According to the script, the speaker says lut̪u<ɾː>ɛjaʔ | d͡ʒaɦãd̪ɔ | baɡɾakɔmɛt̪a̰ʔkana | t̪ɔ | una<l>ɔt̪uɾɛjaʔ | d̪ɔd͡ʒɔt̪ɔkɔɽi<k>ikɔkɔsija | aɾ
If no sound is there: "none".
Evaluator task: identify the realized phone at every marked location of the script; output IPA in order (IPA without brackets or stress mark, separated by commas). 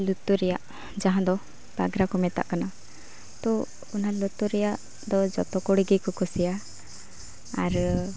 ɾ, l, ɡ